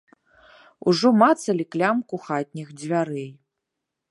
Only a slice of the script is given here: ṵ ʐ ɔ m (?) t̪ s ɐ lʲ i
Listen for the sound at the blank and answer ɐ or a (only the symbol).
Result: a